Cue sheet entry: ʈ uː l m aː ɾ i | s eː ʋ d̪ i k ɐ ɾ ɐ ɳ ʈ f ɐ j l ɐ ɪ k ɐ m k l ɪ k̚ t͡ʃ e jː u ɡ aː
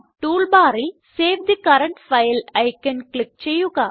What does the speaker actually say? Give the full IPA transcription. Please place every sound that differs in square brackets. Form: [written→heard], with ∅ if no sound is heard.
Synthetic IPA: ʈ uː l [m→b] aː ɾ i | s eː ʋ d̪ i k ɐ ɾ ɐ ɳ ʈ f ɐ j l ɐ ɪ k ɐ [m→n] k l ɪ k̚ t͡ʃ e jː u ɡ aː

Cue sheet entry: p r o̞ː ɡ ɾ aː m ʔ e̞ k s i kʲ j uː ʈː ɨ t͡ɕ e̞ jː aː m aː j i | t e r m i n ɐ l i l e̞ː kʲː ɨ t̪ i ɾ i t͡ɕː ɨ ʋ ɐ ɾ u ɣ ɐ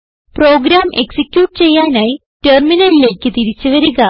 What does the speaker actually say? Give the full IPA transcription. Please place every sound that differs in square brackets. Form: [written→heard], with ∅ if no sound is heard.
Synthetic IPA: p r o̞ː ɡ ɾ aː m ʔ e̞ k s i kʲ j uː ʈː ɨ t͡ɕ e̞ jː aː [m→n] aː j i | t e r m i n ɐ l i l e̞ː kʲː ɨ t̪ i ɾ i t͡ɕː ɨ ʋ ɐ ɾ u ɣ ɐ

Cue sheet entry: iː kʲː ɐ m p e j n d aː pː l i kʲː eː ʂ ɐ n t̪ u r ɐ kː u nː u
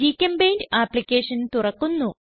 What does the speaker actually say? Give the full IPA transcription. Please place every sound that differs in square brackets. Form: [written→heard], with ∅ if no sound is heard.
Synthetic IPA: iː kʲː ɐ m [p→b] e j n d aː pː l i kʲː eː ʂ ɐ n t̪ u r ɐ kː u nː u

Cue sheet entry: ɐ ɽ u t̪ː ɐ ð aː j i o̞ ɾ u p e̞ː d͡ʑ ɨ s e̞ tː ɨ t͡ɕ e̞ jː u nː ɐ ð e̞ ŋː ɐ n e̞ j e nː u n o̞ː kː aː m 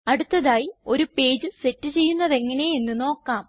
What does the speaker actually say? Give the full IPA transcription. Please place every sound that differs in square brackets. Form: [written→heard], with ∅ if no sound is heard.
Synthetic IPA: ɐ ɽ u t̪ː ɐ ð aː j i o̞ ɾ u p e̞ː d͡ʑ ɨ s e̞ tː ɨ t͡ɕ e̞ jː u nː ɐ ð e̞ ŋː ɐ n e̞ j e nː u n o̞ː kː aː m

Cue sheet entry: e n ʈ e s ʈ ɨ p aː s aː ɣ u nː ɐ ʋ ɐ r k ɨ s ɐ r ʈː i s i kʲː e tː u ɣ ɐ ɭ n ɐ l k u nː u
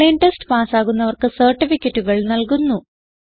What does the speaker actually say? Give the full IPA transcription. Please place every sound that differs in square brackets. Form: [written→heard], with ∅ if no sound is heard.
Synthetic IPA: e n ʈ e s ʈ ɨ p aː s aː ɣ u nː ɐ ʋ ɐ r k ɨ s ɐ r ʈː i [s→f] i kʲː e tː u ɣ ɐ ɭ n ɐ l k u nː u

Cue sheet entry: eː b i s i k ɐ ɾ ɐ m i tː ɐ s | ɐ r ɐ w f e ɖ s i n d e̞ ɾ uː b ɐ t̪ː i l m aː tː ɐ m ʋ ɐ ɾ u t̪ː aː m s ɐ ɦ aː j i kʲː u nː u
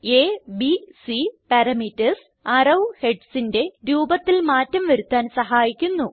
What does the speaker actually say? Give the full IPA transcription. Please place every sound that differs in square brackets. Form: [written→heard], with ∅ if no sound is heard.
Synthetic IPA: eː b i s i [k→p] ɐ ɾ ɐ m i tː ɐ s | ɐ r ɐ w [f→h] e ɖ s i n d e̞ ɾ uː b ɐ t̪ː i l m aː tː ɐ m ʋ ɐ ɾ u t̪ː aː [m→n] s ɐ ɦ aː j i kʲː u nː u

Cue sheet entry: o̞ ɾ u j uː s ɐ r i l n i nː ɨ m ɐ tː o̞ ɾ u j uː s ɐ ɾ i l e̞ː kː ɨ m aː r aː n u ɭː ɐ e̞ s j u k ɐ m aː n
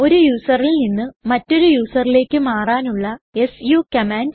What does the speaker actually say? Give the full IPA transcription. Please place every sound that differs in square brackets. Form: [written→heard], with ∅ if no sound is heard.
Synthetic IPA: o̞ ɾ u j uː s ɐ r i l n i nː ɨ m ɐ tː o̞ ɾ u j uː s ɐ [ɾ→r] i l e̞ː kː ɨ m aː r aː n u ɭː ɐ e̞ s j u k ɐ m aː n

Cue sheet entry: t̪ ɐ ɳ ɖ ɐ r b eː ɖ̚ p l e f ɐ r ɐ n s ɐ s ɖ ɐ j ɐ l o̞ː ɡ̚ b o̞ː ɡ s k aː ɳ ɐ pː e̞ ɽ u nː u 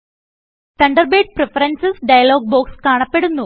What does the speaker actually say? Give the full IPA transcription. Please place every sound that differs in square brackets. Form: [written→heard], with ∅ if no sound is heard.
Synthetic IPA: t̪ ɐ ɳ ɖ ɐ r b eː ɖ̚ p [l→r] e f ɐ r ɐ n s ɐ s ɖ ɐ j ɐ l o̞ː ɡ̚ b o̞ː [ɡ→k] s k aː ɳ ɐ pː e̞ ɽ u nː u

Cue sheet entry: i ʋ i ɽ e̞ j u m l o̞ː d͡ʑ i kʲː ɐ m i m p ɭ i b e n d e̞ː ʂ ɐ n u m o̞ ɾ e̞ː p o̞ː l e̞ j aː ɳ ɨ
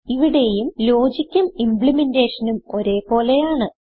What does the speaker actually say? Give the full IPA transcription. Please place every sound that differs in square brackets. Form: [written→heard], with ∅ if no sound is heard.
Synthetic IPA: i ʋ i ɽ e̞ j u m l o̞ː d͡ʑ i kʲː ɐ m i m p ɭ i [b→m] e n d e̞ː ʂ ɐ n u m o̞ ɾ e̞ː p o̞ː l e̞ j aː ɳ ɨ

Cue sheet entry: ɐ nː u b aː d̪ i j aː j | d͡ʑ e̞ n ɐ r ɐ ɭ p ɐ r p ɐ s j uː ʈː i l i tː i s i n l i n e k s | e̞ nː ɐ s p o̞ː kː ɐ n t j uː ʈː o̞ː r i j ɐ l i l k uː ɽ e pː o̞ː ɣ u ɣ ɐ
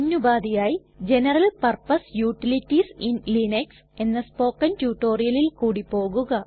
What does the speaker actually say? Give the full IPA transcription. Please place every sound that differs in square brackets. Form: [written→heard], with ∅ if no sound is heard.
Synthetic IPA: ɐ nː u b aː d̪ i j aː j | d͡ʑ e̞ n ɐ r ɐ [ɭ→l] p ɐ r p ɐ s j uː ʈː i l i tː i s i n l i n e k s | e̞ nː ɐ s p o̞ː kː ɐ n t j uː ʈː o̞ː r i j ɐ l i l k uː ɽ [e→i] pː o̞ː ɣ u ɣ ɐ

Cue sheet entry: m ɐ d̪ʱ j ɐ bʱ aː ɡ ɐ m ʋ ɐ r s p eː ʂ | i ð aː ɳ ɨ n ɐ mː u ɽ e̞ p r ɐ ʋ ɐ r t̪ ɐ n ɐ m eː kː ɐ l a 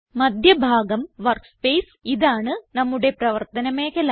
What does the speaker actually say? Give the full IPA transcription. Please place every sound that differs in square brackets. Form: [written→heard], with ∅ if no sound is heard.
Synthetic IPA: m ɐ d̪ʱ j ɐ bʱ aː ɡ ɐ m ʋ ɐ r s p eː [ʂ→s] | i ð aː ɳ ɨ n ɐ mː u ɽ e̞ p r ɐ ʋ ɐ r t̪ ɐ n ɐ m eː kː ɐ l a

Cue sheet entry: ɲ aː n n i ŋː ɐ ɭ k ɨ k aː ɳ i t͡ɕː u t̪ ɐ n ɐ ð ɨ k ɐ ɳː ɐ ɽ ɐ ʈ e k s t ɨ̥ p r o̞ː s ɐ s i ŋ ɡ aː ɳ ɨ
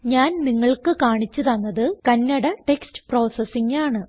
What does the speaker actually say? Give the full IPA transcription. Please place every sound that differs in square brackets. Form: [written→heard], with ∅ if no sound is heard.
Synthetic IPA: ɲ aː n n i ŋː ɐ ɭ k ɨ k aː ɳ i t͡ɕː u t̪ ɐ [n→nː] ɐ ð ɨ k ɐ [ɳː→nː] ɐ ɽ ɐ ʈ e k s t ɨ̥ p r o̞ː s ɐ s i ŋ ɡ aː ɳ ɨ

